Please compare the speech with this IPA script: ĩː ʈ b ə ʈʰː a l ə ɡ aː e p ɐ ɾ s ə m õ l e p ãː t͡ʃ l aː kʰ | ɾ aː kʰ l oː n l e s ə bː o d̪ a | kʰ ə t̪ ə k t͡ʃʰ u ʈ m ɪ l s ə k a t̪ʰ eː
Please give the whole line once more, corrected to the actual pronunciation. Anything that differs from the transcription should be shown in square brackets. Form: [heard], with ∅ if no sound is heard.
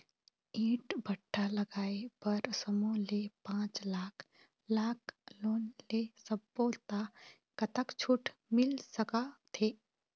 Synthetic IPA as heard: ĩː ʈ b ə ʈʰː a l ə ɡ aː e p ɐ ɾ s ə m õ l e p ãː t͡ʃ l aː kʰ | [l] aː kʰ l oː n l e s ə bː o [t̪] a | [k] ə t̪ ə k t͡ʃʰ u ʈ m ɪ l s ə k a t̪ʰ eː